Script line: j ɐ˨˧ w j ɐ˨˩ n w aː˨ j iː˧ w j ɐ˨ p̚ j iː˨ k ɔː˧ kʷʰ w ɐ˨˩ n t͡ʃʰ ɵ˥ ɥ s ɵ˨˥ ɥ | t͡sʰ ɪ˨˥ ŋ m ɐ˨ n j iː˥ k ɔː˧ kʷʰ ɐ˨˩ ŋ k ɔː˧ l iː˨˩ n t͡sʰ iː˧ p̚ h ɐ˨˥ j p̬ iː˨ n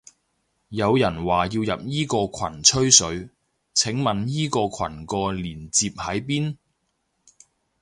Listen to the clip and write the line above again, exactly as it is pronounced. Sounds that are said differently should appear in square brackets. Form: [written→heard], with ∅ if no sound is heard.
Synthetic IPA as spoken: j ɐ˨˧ w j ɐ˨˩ n w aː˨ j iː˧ w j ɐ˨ p̚ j [iː˨→iː˥] k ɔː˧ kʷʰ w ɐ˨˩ n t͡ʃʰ ɵ˥ ɥ s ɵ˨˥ ɥ | t͡sʰ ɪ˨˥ ŋ m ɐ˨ n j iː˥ k ɔː˧ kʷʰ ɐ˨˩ [ŋ→n] k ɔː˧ l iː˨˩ n [t͡sʰ→t͡s] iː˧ p̚ h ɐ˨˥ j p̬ [iː˨→iː˥] n